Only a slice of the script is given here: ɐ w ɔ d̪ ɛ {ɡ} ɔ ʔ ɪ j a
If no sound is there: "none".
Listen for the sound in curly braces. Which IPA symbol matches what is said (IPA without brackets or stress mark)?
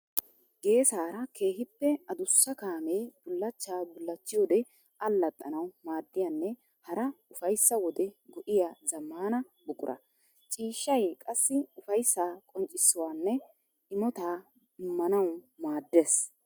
ɡ